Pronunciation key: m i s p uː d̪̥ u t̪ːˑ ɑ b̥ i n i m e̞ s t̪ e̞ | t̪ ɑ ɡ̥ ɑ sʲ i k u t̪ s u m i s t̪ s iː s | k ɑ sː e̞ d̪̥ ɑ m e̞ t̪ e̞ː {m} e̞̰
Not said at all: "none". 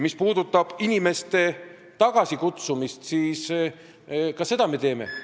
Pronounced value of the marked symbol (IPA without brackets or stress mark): m